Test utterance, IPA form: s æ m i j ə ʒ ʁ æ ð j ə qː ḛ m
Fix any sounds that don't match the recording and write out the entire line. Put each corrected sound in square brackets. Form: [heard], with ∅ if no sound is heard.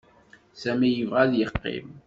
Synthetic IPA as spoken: s æ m i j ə [v] ʁ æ ð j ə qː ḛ m